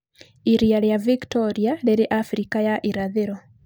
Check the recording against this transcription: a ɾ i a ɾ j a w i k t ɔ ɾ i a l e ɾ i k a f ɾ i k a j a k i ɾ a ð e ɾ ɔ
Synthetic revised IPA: i ɾ i a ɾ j a v i k t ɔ ɾ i a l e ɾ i ʔ a f ɾ i k a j a ʔ i ɾ a ð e ɾ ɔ